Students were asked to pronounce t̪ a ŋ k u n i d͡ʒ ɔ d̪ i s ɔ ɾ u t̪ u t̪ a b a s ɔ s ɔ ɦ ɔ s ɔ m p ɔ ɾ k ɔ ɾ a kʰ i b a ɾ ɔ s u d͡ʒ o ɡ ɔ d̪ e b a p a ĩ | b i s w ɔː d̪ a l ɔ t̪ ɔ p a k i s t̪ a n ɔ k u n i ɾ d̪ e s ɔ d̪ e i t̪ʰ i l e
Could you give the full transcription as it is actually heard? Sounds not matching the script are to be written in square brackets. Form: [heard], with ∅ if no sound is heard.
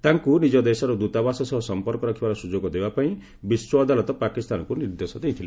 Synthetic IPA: t̪ a ŋ k u n i d͡ʒ ɔ d̪ [e] s ɔ ɾ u [d̪] u t̪ a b a s ɔ s ɔ ɦ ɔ s ɔ m p ɔ ɾ k ɔ ɾ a kʰ i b a ɾ ɔ s u d͡ʒ o ɡ ɔ d̪ e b a p a ĩ | b i s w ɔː d̪ a l ɔ t̪ ɔ p a k i s t̪ a n ɔ k u n i ɾ d̪ e s ɔ d̪ e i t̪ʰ i l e